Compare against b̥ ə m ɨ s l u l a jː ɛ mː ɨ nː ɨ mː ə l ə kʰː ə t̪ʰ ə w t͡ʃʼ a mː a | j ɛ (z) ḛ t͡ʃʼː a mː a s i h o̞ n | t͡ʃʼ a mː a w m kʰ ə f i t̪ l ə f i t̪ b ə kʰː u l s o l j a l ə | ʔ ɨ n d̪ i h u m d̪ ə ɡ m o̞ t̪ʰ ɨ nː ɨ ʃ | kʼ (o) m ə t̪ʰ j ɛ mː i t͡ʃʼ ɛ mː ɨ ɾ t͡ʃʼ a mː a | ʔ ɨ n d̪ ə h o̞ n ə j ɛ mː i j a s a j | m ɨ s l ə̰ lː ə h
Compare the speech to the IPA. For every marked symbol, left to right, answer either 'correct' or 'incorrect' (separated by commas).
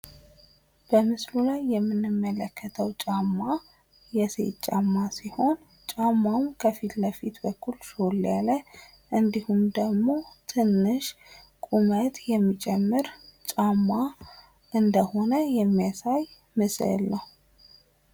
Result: incorrect, incorrect